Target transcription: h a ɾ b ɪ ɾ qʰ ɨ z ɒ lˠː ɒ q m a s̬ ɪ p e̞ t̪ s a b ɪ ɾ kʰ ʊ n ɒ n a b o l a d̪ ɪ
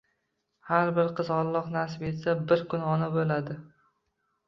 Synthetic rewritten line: h a ɾ b ɪ ɾ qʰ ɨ z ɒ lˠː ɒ q n a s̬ ɪ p e̞ t̪ s a b ɪ ɾ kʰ ʊ n ɒ n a b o l a d̪ ɪ